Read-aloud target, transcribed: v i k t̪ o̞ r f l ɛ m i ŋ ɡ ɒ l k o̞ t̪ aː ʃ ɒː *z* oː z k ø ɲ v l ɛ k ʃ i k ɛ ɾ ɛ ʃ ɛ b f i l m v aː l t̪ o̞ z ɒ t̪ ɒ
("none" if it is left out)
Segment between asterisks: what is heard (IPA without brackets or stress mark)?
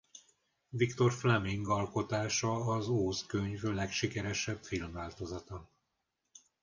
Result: z